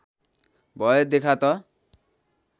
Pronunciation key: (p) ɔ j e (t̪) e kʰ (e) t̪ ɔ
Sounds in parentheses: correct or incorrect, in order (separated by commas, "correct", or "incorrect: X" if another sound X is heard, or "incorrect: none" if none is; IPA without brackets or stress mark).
incorrect: b, incorrect: d̪, incorrect: a